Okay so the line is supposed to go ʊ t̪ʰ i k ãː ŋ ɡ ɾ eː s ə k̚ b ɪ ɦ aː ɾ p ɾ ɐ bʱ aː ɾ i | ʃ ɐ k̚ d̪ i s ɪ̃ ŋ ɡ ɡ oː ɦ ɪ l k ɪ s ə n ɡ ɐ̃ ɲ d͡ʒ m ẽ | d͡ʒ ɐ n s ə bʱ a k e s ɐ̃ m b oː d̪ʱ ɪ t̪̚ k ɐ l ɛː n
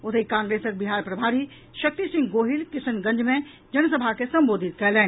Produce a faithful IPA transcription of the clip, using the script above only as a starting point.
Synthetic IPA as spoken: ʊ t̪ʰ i k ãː ŋ ɡ ɾ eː s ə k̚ b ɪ ɦ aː ɾ p ɾ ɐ bʱ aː ɾ i | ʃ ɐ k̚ t̪ i s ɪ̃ ŋ ɡ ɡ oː ɦ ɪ l k ɪ s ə n ɡ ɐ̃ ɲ d͡ʒ m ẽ | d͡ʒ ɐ n s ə bʱ a k e s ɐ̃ m b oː d̪ʱ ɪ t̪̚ k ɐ l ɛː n